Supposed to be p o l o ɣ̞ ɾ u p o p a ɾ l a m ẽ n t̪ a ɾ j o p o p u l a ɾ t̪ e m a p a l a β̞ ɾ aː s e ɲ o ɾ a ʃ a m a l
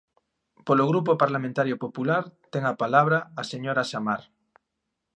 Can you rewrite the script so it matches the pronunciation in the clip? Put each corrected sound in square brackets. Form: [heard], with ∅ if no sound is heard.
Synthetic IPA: p o l o ɣ̞ ɾ u p o p a ɾ l a m ẽ n t̪ a ɾ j o p o p u l a ɾ t̪ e [ŋ] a p a l a β̞ ɾ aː s e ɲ o ɾ a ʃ a m a [ɾ]